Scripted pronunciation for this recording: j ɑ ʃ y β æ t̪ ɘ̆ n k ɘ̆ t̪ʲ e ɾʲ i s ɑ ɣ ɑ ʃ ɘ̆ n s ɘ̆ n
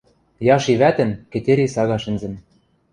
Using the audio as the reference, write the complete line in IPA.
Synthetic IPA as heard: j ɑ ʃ i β æ t̪ ɘ̆ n k ɘ̆ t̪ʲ e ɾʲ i s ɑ ɣ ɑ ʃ ɘ̆ n z ɘ̆ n